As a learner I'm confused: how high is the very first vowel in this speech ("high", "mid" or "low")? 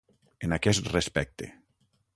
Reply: mid